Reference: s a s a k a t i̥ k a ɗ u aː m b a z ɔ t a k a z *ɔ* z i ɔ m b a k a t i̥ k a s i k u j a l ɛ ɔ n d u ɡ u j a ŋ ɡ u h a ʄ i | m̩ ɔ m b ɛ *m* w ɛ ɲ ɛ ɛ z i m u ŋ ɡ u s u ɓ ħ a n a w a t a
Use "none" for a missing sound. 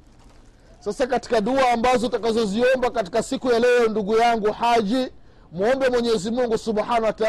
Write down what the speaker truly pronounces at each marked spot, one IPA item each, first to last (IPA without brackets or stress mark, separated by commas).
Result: ɔ, m